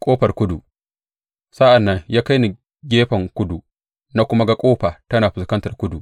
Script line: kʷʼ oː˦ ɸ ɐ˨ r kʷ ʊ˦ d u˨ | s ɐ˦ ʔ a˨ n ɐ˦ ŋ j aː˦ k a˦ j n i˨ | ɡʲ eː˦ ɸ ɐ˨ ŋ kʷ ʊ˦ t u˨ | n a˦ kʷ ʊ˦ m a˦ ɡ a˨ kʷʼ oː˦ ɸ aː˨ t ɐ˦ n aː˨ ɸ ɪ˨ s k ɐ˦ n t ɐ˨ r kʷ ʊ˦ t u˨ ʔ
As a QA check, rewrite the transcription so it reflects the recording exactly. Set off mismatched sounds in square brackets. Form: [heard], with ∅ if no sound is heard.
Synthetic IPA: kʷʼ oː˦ ɸ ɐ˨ r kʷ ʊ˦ d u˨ | s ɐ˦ ʔ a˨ [nː] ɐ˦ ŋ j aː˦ k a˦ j n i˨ | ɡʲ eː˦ ɸ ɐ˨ ŋ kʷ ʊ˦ [d] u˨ | n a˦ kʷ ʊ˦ m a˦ ɡ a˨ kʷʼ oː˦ ɸ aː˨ t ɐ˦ n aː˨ ɸ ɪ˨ s k ɐ˦ n t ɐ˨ r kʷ ʊ˦ [d] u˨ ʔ